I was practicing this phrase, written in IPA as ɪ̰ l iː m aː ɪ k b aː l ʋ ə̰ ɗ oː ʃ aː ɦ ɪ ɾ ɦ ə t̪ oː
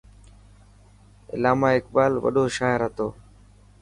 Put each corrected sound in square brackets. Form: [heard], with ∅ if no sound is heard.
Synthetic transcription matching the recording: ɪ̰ l [aː] m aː ɪ k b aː l ʋ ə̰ ɗ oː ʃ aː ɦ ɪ ɾ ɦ ə t̪ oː